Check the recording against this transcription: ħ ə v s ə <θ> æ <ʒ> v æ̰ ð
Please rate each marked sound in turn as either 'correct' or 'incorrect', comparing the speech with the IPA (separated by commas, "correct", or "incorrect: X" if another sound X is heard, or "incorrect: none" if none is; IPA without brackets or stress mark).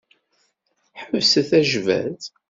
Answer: correct, correct